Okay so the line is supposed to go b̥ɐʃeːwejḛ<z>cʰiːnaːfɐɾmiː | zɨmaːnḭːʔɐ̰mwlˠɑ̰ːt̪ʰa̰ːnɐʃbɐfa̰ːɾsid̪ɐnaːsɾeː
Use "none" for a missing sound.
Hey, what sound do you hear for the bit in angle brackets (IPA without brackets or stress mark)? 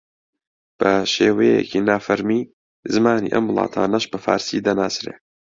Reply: none